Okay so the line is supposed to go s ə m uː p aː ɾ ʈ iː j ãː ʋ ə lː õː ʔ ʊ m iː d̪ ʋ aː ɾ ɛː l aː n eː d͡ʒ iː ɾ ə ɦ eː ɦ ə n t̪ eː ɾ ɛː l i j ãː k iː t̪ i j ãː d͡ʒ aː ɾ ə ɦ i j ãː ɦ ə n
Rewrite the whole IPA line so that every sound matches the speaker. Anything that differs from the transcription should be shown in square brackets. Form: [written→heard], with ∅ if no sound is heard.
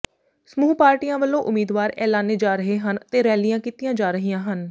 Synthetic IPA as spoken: s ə m uː p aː ɾ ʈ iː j ãː ʋ ə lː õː ʔ ʊ m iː d̪ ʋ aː ɾ ɛː l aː n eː d͡ʒ [iː→aː] ɾ ə ɦ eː ɦ ə n t̪ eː ɾ ɛː l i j ãː k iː t̪ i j ãː d͡ʒ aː ɾ ə ɦ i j ãː ɦ ə n